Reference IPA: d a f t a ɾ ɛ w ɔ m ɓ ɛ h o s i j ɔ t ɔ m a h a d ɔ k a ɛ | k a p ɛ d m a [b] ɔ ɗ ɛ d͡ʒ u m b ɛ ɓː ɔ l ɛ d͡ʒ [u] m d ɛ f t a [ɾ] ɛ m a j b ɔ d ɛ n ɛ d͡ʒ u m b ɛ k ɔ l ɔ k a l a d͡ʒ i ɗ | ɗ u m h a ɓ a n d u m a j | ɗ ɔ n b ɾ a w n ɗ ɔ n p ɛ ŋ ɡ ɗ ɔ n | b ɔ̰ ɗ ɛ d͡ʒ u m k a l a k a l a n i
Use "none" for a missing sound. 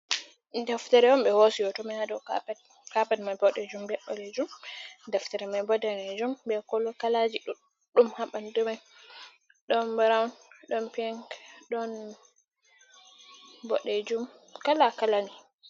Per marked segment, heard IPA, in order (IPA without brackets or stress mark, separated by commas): b, u, ɾ